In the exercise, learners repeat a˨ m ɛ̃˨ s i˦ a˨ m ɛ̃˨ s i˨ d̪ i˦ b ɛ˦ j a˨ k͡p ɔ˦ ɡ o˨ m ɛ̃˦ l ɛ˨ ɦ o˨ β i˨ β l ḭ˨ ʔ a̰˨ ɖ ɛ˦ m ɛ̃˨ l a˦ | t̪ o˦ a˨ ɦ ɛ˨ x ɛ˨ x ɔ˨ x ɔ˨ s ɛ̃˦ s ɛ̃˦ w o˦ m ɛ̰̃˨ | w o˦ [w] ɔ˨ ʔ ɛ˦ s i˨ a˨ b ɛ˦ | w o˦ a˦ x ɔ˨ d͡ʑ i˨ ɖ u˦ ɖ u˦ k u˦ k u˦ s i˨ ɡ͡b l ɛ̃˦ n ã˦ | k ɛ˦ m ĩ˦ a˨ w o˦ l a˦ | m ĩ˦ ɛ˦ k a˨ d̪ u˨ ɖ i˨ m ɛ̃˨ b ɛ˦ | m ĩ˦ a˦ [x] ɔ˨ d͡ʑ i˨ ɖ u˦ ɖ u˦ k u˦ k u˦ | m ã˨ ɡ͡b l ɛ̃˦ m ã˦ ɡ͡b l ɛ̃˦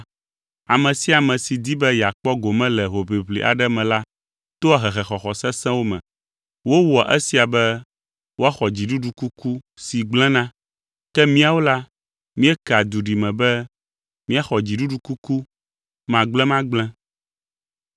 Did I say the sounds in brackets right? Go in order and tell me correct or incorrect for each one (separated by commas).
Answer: correct, correct